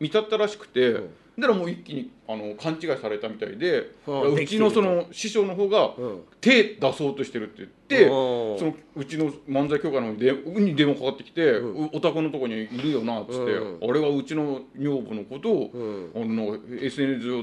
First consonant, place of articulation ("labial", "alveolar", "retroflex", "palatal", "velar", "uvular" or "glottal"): labial